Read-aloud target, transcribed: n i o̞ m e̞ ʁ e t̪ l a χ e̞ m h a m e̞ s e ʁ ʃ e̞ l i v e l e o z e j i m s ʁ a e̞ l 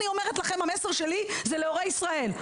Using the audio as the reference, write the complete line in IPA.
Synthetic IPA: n i o̞ m e̞ ʁ e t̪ l a χ e̞ m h a m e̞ s e ʁ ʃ e̞ l i z e l e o ʁ e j i s ʁ a e̞ l